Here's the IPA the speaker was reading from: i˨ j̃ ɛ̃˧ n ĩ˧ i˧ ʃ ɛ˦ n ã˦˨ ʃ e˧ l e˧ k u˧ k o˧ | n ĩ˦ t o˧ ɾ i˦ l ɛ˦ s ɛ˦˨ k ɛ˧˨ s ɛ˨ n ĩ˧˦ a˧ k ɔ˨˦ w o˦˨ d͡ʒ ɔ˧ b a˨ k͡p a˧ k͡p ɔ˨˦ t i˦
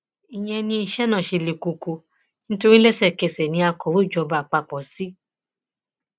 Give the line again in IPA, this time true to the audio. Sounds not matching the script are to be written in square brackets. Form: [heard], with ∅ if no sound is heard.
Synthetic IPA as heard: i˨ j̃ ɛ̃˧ n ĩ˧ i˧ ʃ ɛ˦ n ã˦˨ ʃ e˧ l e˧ k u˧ k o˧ | n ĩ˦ t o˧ ɾ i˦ l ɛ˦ s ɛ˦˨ k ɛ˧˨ s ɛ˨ n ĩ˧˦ a˧ k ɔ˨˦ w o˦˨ d͡ʒ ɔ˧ b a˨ k͡p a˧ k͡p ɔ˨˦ [s] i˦